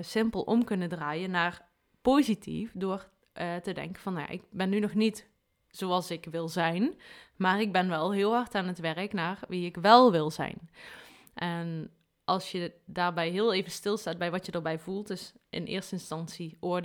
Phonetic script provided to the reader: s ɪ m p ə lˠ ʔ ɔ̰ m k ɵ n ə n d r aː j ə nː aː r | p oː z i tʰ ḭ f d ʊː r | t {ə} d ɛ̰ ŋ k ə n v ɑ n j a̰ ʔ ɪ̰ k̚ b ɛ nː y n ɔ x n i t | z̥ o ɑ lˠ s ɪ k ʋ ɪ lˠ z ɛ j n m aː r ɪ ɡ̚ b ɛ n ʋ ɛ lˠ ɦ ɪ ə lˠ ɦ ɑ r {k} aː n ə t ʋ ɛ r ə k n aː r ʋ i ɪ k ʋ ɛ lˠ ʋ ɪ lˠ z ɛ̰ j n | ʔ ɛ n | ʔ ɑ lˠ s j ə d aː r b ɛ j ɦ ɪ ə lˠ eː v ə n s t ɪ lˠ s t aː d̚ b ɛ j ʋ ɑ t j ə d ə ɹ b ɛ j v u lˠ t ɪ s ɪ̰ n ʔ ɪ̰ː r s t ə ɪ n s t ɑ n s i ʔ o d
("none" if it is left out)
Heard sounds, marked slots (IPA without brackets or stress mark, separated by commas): ə, t